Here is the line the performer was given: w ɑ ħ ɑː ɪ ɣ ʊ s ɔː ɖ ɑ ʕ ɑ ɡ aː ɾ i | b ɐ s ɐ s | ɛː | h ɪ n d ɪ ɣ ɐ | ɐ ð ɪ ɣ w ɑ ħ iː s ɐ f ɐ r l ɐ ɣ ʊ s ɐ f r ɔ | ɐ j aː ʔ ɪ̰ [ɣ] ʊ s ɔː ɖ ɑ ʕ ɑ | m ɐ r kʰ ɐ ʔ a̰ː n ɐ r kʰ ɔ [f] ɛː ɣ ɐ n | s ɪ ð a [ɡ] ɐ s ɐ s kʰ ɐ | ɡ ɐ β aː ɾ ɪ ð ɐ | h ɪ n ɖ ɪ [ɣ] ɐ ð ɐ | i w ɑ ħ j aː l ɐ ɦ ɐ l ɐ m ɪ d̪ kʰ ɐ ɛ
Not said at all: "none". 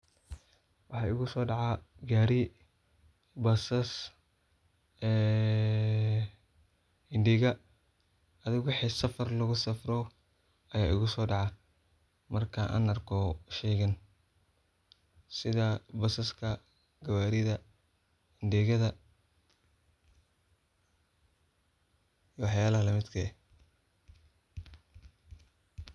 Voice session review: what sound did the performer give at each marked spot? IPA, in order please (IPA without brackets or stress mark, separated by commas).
ɣ, ʃ, b, ɣ